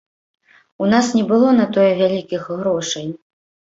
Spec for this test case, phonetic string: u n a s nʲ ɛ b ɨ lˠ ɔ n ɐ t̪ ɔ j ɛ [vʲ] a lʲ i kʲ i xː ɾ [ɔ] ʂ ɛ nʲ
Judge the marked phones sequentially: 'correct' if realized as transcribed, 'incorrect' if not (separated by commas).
correct, correct